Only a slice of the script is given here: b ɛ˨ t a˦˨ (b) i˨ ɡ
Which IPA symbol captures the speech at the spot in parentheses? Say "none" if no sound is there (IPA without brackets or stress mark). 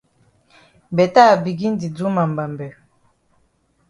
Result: b